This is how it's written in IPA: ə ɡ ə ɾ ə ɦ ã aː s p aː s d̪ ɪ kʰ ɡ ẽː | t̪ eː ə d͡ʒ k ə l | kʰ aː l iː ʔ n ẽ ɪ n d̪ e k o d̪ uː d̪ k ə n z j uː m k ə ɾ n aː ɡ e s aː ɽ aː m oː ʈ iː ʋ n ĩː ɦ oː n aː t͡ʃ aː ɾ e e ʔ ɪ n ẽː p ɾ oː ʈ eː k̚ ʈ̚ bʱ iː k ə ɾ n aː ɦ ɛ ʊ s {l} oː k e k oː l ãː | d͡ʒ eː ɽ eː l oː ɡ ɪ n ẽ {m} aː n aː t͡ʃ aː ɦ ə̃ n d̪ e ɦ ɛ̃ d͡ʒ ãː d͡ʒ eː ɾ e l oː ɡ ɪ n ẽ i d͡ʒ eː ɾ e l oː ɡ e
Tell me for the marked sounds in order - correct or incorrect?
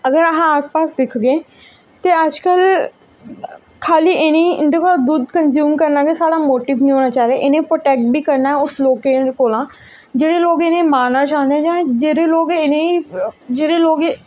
correct, correct

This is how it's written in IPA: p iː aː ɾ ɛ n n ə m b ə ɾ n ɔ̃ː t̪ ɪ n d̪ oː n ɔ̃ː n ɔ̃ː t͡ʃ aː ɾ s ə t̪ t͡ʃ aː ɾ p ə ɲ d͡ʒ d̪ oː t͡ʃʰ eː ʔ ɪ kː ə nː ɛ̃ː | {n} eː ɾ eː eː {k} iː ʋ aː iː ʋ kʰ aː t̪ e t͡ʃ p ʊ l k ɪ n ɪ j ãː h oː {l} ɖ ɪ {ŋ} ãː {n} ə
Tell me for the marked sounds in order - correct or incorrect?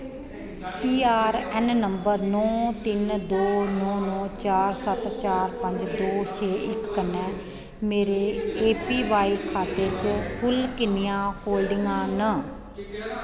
incorrect, incorrect, correct, correct, correct

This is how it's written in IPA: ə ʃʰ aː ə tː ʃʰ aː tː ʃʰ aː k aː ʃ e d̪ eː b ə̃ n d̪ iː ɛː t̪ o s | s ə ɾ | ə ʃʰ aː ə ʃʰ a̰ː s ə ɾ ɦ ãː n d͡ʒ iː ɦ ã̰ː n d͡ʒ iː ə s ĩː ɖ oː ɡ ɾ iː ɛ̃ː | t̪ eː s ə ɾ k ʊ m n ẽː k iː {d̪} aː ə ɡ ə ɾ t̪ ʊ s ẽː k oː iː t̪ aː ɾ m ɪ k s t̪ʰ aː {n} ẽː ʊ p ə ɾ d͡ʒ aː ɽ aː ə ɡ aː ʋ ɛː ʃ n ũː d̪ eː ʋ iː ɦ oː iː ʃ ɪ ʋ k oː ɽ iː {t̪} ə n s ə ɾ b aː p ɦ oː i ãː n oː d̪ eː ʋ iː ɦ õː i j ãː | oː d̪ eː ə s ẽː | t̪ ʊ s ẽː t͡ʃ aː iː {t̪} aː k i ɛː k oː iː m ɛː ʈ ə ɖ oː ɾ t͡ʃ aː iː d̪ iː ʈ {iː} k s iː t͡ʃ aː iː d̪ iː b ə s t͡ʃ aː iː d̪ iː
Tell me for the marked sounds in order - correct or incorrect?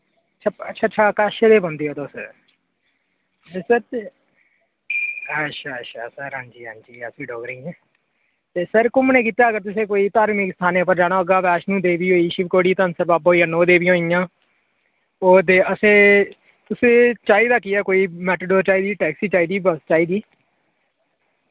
incorrect, correct, correct, incorrect, incorrect

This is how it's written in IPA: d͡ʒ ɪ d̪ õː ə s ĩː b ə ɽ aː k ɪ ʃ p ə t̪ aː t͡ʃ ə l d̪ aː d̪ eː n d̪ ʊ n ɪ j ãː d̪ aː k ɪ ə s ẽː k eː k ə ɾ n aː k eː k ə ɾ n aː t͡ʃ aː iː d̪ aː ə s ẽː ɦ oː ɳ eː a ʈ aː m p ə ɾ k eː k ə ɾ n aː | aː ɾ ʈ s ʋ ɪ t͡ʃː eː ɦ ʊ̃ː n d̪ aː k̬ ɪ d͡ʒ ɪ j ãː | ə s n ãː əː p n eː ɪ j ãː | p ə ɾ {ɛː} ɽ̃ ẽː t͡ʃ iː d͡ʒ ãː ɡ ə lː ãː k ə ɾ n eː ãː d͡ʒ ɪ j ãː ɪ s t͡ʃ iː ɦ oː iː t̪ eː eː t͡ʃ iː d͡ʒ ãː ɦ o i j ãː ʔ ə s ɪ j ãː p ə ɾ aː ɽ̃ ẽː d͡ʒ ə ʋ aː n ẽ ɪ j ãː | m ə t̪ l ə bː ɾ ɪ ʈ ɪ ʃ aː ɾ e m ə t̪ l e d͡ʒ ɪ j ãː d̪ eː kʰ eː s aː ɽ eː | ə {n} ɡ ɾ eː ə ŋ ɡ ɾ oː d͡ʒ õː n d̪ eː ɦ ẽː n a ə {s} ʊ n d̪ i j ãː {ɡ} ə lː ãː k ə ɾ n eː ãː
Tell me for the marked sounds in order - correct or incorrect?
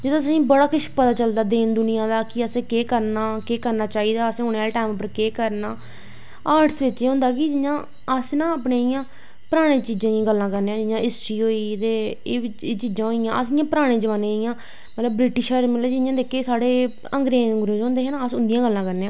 incorrect, incorrect, correct, correct

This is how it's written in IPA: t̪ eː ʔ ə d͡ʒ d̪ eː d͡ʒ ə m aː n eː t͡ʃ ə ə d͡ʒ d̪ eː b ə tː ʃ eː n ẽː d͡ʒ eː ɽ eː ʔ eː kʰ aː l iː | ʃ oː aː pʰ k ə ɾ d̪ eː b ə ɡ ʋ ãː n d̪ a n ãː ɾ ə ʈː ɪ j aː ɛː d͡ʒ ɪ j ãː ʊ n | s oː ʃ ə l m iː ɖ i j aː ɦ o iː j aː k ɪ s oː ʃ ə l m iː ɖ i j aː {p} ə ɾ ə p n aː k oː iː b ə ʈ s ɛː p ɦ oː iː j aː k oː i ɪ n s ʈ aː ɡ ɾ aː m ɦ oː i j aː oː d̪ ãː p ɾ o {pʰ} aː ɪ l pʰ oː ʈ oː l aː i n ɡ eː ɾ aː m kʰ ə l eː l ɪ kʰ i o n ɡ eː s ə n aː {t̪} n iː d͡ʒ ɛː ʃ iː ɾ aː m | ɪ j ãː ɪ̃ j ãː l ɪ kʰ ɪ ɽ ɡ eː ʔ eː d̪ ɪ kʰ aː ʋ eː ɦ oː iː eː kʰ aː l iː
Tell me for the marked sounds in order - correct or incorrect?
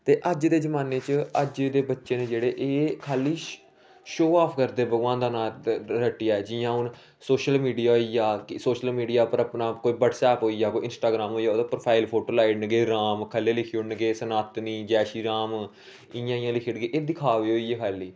correct, correct, correct

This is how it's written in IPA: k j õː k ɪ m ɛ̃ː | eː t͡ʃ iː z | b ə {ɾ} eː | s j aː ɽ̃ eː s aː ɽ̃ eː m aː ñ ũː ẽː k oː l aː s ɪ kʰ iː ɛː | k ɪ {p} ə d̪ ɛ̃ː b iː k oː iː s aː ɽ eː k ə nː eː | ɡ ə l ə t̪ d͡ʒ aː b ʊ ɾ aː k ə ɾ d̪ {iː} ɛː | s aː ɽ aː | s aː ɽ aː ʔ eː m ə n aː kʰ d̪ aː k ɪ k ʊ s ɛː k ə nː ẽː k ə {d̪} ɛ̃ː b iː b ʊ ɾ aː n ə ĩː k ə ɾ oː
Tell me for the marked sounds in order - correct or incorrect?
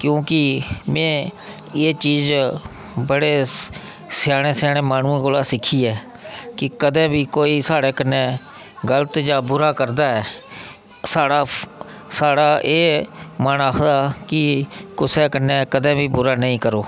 incorrect, incorrect, incorrect, correct

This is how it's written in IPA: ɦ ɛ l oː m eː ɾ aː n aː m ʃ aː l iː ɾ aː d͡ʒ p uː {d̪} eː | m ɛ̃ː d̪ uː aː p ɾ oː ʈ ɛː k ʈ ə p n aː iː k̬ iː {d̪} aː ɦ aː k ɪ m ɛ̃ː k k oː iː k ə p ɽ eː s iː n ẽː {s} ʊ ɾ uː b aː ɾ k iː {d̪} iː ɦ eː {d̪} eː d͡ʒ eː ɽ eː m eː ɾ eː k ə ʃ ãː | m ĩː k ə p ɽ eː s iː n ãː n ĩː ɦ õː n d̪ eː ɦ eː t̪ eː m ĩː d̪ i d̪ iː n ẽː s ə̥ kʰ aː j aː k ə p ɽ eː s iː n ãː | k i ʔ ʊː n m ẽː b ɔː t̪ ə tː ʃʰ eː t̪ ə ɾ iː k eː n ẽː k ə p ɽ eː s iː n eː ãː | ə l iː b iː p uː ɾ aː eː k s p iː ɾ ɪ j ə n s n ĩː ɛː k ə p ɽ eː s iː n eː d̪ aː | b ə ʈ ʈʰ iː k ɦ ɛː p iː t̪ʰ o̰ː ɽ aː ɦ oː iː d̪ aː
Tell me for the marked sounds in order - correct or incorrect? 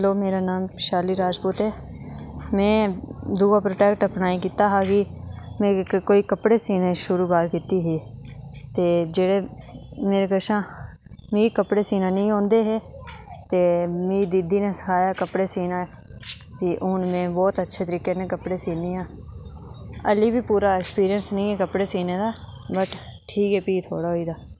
incorrect, incorrect, incorrect, incorrect, incorrect

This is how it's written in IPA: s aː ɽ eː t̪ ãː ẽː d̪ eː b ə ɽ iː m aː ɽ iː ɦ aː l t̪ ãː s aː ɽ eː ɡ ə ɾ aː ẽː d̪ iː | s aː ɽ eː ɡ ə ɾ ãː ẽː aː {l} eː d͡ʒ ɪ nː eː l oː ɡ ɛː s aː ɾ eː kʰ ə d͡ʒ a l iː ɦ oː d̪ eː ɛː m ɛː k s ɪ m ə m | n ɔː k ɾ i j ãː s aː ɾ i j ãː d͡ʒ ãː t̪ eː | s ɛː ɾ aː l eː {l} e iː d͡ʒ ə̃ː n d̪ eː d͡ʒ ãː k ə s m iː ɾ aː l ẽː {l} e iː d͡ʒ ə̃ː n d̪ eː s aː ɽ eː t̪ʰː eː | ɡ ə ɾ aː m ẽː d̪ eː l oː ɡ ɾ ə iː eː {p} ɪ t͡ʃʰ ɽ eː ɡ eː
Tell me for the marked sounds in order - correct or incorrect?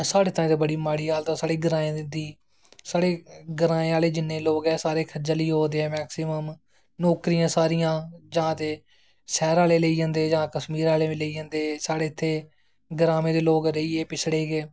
correct, correct, correct, correct

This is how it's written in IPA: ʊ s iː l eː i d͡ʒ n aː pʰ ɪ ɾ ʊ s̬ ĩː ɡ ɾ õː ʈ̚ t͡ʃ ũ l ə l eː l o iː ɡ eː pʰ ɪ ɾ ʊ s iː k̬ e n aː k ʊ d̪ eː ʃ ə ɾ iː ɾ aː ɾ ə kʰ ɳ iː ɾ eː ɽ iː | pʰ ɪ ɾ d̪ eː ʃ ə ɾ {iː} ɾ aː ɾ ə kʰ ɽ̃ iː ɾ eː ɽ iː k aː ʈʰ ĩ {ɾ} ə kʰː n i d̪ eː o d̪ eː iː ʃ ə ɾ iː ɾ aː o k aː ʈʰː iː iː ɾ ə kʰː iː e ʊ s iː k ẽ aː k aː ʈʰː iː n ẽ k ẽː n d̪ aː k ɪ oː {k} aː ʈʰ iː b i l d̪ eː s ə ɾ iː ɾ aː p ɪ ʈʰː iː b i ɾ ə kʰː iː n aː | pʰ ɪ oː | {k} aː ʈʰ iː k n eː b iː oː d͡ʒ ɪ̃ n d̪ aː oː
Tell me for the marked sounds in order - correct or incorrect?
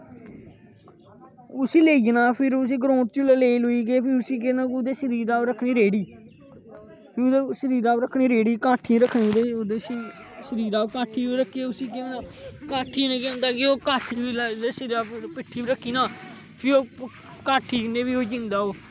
correct, correct, correct, correct

